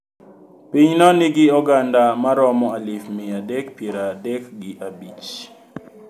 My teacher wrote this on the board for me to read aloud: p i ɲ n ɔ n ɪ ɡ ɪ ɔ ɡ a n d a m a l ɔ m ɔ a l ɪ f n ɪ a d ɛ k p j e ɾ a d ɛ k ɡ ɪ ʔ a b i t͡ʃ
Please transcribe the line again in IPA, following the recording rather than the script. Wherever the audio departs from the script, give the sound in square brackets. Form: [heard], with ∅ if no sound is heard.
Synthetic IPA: p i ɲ n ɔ n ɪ ɡ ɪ ɔ ɡ a n d a m a [ɾ] ɔ m ɔ a l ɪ f [m] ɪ a d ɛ k p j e ɾ a d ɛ k ɡ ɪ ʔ a b i t͡ʃ